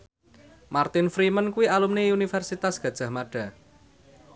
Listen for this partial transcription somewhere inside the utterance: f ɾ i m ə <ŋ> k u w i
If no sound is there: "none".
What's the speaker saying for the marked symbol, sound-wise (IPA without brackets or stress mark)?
n